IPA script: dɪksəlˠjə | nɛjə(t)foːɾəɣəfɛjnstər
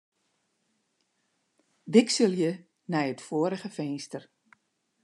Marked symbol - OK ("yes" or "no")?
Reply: yes